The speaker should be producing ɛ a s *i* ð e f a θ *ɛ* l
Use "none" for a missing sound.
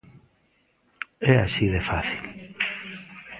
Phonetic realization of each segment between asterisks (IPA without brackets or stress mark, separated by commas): i, i